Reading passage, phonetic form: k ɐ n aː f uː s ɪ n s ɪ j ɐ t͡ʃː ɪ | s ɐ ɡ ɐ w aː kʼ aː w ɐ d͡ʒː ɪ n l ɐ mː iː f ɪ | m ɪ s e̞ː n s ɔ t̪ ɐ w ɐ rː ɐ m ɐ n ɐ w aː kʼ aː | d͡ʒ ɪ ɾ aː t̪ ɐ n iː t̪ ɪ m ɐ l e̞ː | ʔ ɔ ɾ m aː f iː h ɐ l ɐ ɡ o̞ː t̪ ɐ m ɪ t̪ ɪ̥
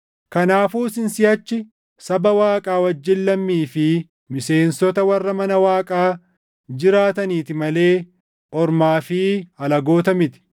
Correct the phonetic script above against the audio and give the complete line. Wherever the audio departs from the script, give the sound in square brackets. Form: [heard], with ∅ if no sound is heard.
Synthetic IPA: k ɐ n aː f uː s ɪ n s ɪ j ɐ t͡ʃː ɪ | s ɐ [b] ɐ w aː kʼ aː w ɐ d͡ʒː ɪ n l ɐ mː iː f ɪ | m ɪ s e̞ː n s ɔ t̪ ɐ w ɐ rː ɐ m ɐ n ɐ w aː kʼ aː | d͡ʒ ɪ ɾ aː t̪ ɐ n iː t̪ ɪ m ɐ l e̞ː | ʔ ɔ ɾ m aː f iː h ɐ l ɐ ɡ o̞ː t̪ ɐ m ɪ t̪ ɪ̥